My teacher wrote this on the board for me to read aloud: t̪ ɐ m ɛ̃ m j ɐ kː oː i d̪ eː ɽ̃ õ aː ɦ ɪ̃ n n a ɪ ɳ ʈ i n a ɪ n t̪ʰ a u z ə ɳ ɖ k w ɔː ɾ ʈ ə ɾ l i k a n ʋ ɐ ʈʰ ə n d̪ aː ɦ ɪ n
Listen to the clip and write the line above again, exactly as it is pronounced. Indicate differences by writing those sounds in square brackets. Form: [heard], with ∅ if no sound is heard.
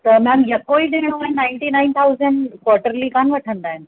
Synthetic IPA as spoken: t̪ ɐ m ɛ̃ m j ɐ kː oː i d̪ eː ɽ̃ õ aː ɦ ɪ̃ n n a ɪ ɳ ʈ i n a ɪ n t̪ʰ a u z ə ɳ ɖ k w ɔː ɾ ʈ ə ɾ l i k a n ʋ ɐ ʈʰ ə n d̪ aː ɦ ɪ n